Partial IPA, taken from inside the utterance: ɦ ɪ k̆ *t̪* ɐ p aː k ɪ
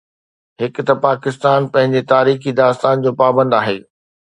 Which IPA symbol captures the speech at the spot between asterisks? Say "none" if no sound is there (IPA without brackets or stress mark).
t̪